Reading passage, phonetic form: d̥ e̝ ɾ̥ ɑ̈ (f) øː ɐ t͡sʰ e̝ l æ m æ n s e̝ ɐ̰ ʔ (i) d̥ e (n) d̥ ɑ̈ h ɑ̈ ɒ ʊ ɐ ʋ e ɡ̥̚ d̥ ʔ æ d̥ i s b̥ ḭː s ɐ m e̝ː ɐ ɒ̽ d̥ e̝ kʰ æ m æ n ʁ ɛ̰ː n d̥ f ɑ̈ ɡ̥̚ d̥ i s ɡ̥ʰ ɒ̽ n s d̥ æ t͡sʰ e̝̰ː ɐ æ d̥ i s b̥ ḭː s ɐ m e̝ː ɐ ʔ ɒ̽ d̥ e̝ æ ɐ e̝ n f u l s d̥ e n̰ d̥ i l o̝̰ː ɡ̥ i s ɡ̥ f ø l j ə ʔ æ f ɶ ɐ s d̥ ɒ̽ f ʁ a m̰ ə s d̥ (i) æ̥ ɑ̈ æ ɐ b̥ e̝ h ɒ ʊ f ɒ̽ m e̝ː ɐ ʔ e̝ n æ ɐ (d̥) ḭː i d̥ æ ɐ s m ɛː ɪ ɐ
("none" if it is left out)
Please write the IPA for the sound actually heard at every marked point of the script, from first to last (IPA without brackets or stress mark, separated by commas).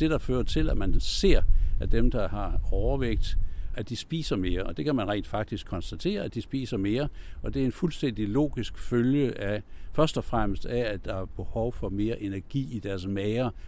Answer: f, æ, m, æ, ɡ̥